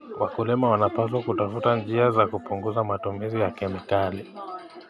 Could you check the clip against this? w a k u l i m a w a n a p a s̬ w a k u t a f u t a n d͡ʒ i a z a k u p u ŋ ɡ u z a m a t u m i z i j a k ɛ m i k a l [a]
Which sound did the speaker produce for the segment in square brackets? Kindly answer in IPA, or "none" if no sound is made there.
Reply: i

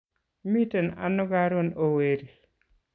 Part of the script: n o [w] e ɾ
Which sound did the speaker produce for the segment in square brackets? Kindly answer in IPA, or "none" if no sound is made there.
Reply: w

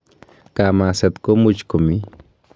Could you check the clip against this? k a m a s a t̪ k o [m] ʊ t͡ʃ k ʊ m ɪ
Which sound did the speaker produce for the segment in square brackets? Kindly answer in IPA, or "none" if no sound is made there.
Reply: m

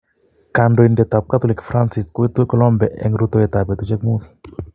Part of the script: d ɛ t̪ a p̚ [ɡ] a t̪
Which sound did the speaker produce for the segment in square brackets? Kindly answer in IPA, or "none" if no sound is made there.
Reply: k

